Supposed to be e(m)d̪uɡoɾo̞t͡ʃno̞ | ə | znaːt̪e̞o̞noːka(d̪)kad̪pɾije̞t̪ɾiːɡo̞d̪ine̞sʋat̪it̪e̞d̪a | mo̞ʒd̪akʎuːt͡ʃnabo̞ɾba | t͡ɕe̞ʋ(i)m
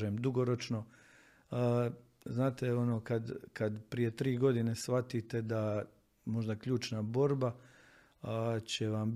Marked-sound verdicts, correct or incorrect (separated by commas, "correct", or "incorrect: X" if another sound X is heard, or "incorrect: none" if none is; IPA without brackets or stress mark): correct, correct, incorrect: a